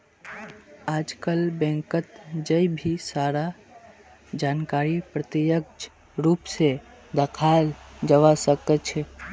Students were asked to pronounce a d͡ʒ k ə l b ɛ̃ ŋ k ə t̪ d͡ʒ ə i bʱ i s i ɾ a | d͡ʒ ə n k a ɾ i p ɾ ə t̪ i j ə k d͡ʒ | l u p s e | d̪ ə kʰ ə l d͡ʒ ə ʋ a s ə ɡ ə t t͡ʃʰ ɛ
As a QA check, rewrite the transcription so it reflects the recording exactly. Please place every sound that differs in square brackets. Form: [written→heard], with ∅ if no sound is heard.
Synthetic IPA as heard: a d͡ʒ k ə l b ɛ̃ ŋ k ə t̪ d͡ʒ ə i bʱ i s [i→a] ɾ a | d͡ʒ [ə→a] n k a ɾ i p ɾ ə t̪ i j ə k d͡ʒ | [l→ɾ] u p s e | d̪ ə kʰ [ə→a] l d͡ʒ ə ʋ a s ə [ɡ→k] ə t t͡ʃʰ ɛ